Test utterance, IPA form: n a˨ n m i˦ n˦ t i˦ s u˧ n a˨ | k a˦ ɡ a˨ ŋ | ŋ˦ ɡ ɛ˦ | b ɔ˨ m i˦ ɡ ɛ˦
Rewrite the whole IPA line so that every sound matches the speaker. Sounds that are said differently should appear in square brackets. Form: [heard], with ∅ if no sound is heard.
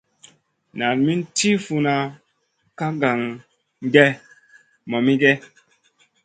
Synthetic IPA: n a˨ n m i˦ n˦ t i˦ [f] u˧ n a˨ | k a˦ ɡ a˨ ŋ | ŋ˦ ɡ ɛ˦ | [m] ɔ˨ m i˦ ɡ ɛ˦

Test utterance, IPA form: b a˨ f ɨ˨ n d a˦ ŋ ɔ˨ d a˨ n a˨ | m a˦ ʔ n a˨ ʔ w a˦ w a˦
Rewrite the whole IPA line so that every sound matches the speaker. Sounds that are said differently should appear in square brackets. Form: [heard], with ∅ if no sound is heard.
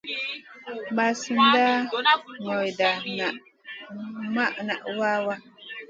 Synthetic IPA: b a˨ [s] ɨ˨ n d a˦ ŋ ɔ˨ d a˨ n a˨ | m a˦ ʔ n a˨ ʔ w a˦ w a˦

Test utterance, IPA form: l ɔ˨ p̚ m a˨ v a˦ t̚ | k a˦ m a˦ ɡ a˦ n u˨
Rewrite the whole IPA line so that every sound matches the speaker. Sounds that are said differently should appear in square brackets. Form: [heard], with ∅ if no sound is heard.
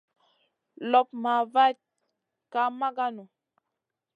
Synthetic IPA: l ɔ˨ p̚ m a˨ v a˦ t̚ | k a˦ m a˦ ɡ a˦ n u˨

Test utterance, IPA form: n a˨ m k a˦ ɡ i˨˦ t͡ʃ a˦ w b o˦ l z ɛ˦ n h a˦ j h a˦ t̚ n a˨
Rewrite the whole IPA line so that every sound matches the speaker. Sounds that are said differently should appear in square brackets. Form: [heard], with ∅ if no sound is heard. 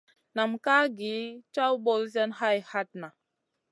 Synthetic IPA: n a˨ m k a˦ ɡ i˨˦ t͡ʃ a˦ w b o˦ l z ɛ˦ n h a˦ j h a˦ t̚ n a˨

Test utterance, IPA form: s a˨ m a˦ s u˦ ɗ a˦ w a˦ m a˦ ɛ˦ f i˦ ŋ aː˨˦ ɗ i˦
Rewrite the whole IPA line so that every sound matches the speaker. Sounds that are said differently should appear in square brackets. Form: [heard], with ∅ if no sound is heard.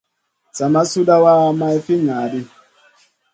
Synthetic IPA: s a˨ m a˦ s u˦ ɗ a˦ w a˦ m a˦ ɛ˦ f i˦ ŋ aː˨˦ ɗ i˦

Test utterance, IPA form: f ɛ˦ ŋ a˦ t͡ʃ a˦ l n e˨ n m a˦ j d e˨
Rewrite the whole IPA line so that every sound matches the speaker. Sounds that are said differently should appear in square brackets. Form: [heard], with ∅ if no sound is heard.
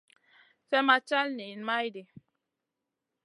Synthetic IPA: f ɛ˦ [m] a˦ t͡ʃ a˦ l n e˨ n m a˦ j d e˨

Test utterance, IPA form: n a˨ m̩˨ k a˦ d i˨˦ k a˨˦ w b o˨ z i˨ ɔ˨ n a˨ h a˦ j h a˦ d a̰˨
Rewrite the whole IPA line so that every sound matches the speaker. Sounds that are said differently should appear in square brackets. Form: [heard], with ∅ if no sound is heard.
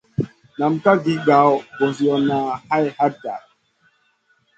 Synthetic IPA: n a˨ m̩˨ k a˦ [ɡ] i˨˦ [ɡ] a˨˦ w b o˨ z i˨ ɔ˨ n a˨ h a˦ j h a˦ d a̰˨

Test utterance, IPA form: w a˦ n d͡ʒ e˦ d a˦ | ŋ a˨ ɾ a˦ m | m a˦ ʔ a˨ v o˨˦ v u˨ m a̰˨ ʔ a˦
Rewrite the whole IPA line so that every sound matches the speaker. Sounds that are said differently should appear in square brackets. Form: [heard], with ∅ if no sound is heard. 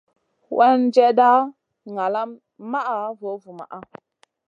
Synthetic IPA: w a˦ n d͡ʒ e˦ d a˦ | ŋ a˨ [l] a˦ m | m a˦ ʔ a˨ v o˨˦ v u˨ m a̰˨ ʔ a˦

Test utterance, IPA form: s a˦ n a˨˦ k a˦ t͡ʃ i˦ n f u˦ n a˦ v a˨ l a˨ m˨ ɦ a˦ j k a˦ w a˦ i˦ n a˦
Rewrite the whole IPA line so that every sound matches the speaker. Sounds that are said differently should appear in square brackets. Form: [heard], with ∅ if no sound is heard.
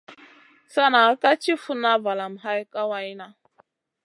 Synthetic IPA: s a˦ n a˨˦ k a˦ t͡ʃ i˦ [∅] f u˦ n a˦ v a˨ l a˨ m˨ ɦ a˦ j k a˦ w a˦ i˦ n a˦

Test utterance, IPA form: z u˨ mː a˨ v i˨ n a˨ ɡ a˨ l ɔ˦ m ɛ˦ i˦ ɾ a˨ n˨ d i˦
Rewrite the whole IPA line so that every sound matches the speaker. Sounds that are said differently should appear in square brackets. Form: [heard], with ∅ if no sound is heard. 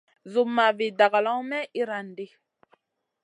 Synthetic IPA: z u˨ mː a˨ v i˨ [d] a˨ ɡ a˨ l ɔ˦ m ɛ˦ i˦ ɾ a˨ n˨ d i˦

